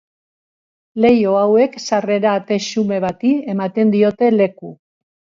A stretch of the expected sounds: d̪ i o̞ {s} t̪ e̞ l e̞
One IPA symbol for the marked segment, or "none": none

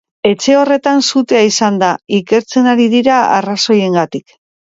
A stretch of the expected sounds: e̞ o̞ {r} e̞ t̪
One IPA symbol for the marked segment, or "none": r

